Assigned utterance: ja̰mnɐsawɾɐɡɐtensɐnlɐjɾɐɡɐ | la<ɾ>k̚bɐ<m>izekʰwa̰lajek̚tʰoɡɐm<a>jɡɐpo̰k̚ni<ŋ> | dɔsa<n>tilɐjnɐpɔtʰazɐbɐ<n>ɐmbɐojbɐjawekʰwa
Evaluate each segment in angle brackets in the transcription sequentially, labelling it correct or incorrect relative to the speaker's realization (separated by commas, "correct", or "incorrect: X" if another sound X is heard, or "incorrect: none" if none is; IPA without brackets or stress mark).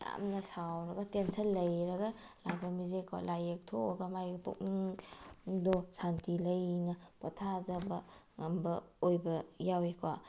incorrect: none, correct, correct, correct, correct, incorrect: ŋ